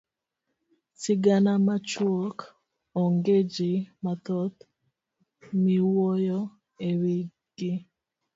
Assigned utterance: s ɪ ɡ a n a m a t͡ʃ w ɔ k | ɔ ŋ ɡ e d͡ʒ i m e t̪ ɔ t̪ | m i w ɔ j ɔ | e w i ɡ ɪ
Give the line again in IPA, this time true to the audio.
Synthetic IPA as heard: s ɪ ɡ a n a m a t͡ʃ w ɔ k | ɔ ŋ ɡ e d͡ʒ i m a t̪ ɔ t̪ | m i w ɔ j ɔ | e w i ɡ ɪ